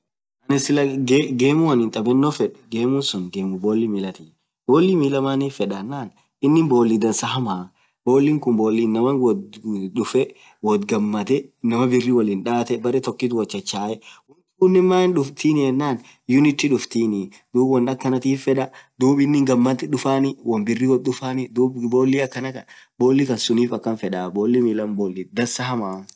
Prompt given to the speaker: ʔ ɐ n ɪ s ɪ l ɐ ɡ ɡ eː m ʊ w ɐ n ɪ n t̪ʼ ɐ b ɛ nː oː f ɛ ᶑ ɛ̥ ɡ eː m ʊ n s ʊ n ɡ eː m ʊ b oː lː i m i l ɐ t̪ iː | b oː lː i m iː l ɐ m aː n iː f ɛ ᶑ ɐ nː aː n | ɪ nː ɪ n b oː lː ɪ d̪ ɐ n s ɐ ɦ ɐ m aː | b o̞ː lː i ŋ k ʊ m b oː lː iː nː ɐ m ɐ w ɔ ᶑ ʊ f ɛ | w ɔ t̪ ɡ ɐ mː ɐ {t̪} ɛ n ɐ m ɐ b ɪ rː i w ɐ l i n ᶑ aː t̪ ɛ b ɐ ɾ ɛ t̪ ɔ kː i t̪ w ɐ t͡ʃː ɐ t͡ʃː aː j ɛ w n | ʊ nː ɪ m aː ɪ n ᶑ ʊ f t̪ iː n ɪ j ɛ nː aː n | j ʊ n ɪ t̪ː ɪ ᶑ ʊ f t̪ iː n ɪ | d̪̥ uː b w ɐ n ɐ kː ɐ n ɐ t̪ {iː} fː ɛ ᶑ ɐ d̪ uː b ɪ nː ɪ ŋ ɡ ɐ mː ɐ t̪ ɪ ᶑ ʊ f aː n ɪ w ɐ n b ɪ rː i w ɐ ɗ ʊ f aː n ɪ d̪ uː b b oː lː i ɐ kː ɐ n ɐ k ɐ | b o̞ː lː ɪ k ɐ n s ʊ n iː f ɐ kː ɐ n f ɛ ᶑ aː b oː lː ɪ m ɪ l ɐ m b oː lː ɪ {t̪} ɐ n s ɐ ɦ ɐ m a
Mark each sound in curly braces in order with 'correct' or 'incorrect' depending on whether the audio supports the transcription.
correct, correct, incorrect

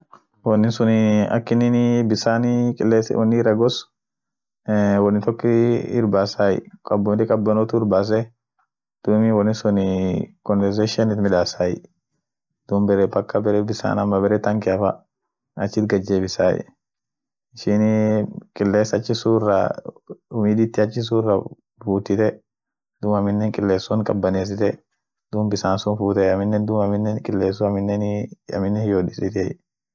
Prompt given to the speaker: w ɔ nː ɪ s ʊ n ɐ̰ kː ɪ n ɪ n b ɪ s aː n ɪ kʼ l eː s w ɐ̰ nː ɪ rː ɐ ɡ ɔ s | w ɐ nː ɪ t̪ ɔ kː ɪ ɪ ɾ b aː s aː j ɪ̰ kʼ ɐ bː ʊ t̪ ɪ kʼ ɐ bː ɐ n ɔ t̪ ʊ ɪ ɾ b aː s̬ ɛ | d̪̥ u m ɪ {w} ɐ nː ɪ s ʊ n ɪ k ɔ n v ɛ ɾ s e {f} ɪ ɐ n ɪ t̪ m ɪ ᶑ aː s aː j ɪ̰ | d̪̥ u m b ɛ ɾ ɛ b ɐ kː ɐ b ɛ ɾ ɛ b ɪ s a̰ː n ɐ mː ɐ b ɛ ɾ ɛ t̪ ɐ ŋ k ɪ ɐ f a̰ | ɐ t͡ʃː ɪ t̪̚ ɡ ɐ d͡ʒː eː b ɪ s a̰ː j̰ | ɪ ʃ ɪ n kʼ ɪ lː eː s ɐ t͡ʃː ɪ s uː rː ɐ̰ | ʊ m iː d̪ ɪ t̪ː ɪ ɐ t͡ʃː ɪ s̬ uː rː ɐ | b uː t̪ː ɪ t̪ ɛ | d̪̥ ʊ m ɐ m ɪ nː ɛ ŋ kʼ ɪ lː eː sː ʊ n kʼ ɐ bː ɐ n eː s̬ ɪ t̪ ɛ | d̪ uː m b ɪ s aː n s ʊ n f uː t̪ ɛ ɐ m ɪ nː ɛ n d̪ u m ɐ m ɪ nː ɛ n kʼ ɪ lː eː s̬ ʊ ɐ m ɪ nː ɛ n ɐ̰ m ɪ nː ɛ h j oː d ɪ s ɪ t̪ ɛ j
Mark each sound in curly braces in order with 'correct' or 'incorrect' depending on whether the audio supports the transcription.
correct, incorrect

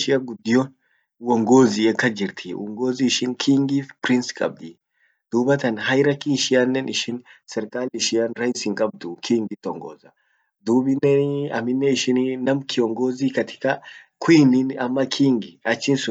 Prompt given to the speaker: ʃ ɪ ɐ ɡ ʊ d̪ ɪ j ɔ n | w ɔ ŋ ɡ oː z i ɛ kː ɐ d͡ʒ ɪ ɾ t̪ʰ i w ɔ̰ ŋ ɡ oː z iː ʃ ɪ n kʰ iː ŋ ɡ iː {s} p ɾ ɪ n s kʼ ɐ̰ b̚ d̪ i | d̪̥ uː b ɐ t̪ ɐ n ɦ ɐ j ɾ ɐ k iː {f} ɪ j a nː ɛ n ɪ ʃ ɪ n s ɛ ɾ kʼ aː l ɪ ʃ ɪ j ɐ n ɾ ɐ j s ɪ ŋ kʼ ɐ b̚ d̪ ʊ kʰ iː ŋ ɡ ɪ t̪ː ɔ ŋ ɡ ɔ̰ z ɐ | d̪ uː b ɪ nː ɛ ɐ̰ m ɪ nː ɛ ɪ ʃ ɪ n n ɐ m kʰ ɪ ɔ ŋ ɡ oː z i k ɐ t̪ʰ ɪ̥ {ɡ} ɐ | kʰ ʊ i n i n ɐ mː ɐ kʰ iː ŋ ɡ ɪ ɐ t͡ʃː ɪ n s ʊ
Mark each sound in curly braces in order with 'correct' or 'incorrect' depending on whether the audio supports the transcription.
incorrect, incorrect, incorrect

